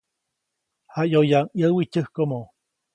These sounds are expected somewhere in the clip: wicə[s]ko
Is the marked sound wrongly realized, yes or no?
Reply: yes